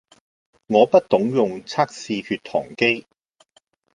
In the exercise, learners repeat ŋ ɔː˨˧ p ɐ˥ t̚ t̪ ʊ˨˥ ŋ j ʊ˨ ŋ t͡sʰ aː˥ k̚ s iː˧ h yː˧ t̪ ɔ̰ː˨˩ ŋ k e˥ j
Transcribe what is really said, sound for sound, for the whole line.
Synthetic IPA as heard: ŋ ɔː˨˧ p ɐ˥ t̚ t̪ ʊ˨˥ ŋ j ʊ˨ ŋ t͡sʰ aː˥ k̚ s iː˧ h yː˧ t̪ʰ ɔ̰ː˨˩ ŋ k e˥ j